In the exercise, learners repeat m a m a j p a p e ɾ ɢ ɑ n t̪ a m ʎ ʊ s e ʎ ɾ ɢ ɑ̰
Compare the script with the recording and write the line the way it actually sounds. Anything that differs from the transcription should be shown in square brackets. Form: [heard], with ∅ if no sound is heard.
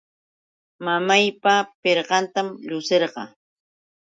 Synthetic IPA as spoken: m a m a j p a p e ɾ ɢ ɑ n t̪ a m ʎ ʊ s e [∅] ɾ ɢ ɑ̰